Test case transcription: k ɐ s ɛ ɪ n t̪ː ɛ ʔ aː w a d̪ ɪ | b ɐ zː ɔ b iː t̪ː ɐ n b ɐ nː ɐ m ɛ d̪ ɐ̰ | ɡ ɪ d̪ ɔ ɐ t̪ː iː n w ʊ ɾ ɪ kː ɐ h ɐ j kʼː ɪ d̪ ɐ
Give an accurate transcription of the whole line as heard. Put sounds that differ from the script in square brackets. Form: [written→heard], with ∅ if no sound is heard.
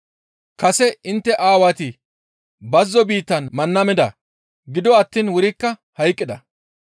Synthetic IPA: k ɐ s ɛ ɪ n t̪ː ɛ ʔ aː w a [d̪→t̪] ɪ | b ɐ zː ɔ b iː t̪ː ɐ n [b→m] ɐ nː ɐ m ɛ d̪ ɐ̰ | ɡ ɪ d̪ ɔ ɐ t̪ː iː n w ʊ ɾ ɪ kː ɐ h ɐ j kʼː ɪ d̪ ɐ